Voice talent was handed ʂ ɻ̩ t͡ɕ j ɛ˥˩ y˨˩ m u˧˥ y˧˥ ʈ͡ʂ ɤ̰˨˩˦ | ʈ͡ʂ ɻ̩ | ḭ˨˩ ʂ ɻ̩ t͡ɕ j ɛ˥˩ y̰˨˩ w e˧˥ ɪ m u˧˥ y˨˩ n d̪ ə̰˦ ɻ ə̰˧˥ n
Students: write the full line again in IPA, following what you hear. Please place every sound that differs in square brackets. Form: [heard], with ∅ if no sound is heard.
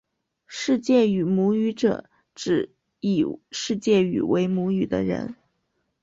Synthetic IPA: ʂ ɻ̩ t͡ɕ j ɛ˥˩ y˨˩ m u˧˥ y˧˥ ʈ͡ʂ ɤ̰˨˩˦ | ʈ͡ʂ ɻ̩ | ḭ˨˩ ʂ ɻ̩ t͡ɕ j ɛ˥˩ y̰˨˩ w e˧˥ ɪ m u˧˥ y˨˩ [∅] d̪ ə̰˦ ɻ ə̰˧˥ n